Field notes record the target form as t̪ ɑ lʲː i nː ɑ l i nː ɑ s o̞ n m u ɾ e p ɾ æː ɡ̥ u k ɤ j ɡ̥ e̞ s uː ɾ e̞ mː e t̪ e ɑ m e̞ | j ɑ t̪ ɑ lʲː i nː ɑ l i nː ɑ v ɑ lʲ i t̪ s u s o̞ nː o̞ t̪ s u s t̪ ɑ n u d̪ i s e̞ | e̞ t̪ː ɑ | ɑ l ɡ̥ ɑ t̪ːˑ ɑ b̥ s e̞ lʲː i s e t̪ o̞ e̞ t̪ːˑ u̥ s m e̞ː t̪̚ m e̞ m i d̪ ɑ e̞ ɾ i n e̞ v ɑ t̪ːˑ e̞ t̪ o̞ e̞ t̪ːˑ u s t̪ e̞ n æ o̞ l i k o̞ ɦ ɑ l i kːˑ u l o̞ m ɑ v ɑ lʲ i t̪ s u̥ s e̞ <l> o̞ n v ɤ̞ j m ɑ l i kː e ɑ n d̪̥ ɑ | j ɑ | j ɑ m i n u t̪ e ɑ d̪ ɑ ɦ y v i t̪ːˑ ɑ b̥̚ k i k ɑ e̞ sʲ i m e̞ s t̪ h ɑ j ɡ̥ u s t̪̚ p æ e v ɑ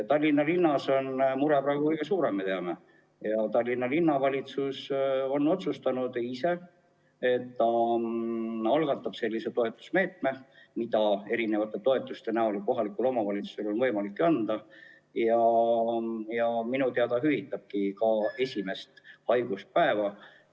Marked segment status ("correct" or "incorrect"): correct